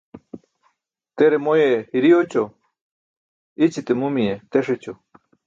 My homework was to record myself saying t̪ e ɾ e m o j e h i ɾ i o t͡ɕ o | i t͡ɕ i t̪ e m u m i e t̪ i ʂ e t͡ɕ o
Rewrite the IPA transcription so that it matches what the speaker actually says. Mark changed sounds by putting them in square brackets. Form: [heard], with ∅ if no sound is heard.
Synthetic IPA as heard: t̪ e ɾ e m o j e h i ɾ i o t͡ɕ o | i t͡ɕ i t̪ e m u m i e t̪ [e] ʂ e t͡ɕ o